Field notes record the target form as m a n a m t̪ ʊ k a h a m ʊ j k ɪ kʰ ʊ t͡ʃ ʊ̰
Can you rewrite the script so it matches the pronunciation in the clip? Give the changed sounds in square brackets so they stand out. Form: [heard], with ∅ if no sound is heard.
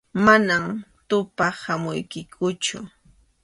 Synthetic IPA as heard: m a n a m t̪ ʊ [p] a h a m ʊ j k ɪ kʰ ʊ t͡ʃ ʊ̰

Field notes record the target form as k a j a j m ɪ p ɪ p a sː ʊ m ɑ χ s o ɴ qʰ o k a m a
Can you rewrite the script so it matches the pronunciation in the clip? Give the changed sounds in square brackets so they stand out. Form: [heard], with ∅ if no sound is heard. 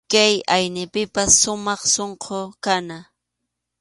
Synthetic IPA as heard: k a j a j [n] ɪ p ɪ p a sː ʊ m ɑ χ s o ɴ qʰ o k a [n] a

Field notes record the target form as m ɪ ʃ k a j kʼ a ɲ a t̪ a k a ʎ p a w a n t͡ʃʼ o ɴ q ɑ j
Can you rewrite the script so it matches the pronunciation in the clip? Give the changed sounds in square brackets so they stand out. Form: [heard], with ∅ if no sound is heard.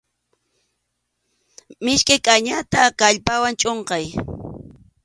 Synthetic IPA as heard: m ɪ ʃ k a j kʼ a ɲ a t̪ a k a ʎ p a w a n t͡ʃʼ o ɴ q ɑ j

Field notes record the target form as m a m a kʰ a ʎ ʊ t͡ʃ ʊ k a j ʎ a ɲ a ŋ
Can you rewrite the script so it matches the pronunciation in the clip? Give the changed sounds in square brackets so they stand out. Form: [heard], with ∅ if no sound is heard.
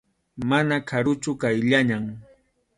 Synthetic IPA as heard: m a [n] a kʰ a [ɾ] ʊ t͡ʃ ʊ k a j ʎ a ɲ a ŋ

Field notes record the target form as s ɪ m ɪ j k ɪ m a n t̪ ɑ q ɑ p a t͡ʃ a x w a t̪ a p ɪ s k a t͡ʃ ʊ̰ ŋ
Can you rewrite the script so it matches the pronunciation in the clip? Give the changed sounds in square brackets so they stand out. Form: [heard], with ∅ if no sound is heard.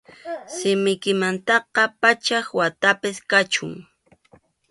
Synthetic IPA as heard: s ɪ m ɪ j k ɪ m a n t̪ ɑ q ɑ p a t͡ʃ a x w a t̪ a p ɪ s k a t͡ʃ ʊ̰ ŋ

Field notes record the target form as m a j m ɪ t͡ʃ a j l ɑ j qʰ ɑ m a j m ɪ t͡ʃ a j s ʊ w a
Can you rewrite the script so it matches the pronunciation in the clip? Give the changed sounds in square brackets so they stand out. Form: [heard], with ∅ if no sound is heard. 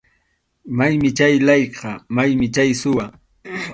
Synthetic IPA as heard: m a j m ɪ t͡ʃ a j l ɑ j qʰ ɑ m a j m ɪ t͡ʃ a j s ʊ w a

